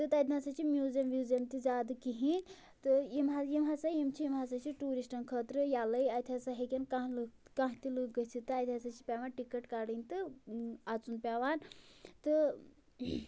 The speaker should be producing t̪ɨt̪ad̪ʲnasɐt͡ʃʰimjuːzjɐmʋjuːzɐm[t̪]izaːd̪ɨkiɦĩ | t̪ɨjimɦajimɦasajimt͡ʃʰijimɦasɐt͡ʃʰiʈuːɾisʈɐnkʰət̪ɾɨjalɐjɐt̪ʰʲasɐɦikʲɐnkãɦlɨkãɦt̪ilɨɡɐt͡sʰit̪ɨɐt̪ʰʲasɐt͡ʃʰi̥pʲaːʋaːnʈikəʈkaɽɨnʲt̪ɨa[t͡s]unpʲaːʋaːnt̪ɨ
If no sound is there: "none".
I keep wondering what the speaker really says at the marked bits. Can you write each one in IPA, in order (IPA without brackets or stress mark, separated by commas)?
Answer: t̪, t͡s